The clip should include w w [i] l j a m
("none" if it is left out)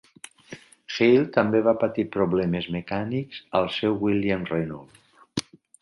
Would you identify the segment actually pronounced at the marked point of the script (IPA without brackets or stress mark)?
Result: i